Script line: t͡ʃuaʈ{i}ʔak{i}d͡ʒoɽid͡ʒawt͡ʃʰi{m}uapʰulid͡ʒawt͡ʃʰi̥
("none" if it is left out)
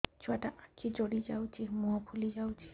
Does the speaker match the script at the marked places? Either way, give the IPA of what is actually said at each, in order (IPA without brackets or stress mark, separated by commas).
a, i, m